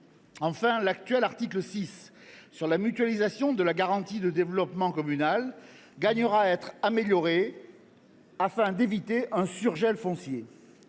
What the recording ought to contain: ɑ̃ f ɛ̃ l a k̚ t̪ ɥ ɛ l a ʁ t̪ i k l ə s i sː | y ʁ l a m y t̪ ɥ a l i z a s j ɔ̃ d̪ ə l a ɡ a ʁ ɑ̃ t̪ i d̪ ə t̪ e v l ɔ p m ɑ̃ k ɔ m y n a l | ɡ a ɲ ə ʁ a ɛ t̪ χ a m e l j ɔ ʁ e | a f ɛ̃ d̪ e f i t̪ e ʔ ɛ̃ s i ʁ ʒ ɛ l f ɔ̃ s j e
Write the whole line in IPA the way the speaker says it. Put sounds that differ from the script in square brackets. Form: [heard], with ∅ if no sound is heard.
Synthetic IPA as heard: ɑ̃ f ɛ̃ l a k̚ t̪ ɥ ɛ l a ʁ t̪ i k l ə s i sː | y ʁ l a m y t̪ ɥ a l i z a s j ɔ̃ d̪ ə l a ɡ a ʁ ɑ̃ t̪ i d̪ ə [d̪] e v l ɔ p m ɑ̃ k ɔ m y n a l | ɡ a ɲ ə ʁ a ɛ t̪ χ a m e l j ɔ ʁ e | a f ɛ̃ d̪ e [v] i t̪ e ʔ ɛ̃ s [y] ʁ ʒ ɛ l f ɔ̃ s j e